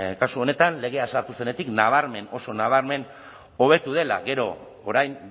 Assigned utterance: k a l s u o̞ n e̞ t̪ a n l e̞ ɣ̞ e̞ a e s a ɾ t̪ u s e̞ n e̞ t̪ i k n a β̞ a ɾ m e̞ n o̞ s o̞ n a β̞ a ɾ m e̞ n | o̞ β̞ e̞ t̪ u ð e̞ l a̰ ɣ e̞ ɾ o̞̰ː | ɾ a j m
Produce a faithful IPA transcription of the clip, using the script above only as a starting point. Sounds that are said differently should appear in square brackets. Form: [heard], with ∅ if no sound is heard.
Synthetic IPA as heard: k a [∅] s u o̞ n e̞ t̪ a n l e̞ ɣ̞ e̞ a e s a ɾ t̪ u s e̞ n e̞ t̪ i k n a β̞ a ɾ m e̞ n o̞ s o̞ n a β̞ a ɾ m e̞ n | o̞ β̞ e̞ t̪ u ð e̞ l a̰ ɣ e̞ ɾ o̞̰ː | ɾ a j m